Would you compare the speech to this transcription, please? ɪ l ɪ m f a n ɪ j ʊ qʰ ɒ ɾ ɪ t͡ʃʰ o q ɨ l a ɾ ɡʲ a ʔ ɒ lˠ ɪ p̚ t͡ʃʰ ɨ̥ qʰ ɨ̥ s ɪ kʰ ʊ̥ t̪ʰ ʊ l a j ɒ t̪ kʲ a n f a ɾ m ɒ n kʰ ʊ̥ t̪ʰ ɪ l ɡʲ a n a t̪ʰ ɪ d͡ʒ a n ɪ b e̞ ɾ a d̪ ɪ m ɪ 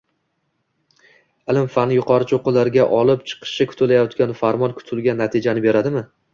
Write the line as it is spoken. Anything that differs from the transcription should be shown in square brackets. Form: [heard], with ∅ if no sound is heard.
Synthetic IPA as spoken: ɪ l ɪ m f a n ɪ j ʊ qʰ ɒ ɾ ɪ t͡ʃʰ o q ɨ l a ɾ ɡʲ a ʔ ɒ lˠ ɪ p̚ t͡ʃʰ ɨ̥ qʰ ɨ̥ [ʃ] ɪ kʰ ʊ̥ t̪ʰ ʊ l a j ɒ t̪ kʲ a n f a ɾ m ɒ n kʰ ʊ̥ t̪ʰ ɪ l ɡʲ a [nː] a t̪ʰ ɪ d͡ʒ a n ɪ b e̞ ɾ a d̪ ɪ m ɪ